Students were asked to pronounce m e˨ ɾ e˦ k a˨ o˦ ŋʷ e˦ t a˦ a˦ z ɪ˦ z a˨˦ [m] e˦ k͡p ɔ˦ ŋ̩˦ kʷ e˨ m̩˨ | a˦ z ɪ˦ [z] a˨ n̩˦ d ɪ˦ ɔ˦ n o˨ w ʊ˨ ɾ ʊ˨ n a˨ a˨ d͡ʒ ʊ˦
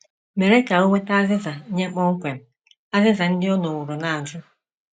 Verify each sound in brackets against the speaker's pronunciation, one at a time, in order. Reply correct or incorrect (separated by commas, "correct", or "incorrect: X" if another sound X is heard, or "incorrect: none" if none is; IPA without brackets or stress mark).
incorrect: ɲ, correct